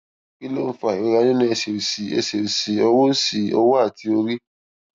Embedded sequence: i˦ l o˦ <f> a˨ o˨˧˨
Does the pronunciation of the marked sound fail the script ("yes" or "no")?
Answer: no